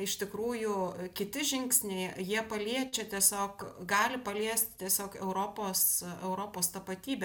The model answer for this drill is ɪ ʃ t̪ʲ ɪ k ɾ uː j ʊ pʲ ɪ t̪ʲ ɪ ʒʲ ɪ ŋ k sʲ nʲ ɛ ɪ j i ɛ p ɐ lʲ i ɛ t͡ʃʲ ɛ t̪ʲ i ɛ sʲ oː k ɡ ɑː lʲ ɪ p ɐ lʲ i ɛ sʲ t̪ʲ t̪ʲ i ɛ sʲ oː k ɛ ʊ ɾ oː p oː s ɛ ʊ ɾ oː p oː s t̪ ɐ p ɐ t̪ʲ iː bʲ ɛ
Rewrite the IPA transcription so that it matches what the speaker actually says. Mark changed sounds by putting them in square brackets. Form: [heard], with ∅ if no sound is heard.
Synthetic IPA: ɪ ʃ t̪ʲ ɪ k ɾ uː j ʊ [kʲ] ɪ t̪ʲ ɪ ʒʲ ɪ ŋ k sʲ nʲ ɛ ɪ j i ɛ p ɐ lʲ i ɛ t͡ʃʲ ɛ t̪ʲ i ɛ sʲ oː k ɡ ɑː lʲ ɪ p ɐ lʲ i ɛ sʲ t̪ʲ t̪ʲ i ɛ sʲ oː k ɛ ʊ ɾ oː p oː s ɛ ʊ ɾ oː p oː s t̪ ɐ p ɐ t̪ʲ iː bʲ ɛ